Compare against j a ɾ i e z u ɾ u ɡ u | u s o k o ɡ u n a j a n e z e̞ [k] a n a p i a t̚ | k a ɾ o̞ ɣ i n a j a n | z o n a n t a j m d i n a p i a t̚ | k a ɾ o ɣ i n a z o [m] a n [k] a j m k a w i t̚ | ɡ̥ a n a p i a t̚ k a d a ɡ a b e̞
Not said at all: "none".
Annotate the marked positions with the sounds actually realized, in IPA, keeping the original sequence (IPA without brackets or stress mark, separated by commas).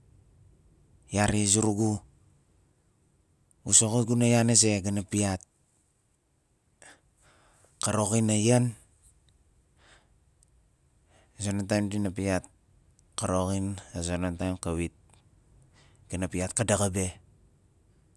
ɡ, n, t